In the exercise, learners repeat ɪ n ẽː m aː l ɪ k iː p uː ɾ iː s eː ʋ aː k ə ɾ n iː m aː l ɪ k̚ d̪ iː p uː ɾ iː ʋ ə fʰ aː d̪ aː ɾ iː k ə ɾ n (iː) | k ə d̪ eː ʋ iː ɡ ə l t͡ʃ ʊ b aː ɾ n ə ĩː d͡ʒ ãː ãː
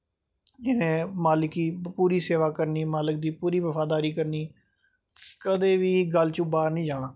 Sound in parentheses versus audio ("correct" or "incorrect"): correct